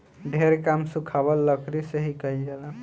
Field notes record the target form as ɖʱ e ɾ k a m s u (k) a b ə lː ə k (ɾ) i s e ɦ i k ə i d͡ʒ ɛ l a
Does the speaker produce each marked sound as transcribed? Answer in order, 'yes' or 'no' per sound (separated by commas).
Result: no, yes